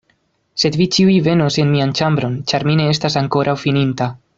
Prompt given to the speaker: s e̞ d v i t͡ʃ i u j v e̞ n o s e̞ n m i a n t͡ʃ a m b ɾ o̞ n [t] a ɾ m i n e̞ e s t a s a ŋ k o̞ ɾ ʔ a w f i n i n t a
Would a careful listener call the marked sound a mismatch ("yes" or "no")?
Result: yes